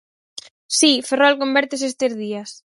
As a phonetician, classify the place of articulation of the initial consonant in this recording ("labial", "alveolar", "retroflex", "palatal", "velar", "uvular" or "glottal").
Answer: alveolar